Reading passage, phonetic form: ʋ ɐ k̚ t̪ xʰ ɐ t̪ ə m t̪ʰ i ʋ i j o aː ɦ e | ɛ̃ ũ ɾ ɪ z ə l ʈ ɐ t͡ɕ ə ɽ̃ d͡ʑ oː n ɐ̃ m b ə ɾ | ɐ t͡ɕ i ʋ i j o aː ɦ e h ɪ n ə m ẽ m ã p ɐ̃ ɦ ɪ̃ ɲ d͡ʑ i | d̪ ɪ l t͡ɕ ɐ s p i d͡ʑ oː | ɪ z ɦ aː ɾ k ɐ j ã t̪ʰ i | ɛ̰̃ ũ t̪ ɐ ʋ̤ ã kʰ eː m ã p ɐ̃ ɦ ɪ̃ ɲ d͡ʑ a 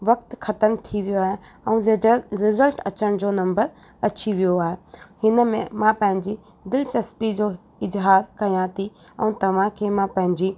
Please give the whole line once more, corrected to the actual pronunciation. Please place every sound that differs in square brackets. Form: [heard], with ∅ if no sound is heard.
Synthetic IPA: ʋ ɐ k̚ t̪ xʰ ɐ t̪ ə m t̪ʰ i ʋ i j o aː ɦ e | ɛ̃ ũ ɾ ɪ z ə l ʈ ɐ t͡ɕ ə ɽ̃ d͡ʑ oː n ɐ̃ m b ə ɾ | ɐ t͡ɕ i ʋ i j o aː ɦ e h ɪ n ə m ẽ m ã p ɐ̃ ɦ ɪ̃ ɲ d͡ʑ i | d̪ ɪ l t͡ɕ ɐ s p i d͡ʑ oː | ɪ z ɦ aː ɾ k ɐ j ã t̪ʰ i | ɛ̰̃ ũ t̪ ɐ ʋ̤ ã kʰ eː m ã p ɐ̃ ɦ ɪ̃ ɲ d͡ʑ [i]